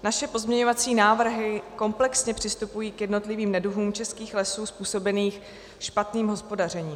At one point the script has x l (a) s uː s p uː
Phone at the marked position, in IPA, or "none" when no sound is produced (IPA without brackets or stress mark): ɛ